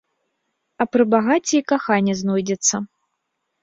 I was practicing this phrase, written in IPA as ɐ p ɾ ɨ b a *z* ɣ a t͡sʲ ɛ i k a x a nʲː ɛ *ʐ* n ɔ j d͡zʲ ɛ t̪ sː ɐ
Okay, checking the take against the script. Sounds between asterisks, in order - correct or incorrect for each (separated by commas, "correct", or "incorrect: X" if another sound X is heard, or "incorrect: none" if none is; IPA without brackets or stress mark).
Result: incorrect: none, incorrect: z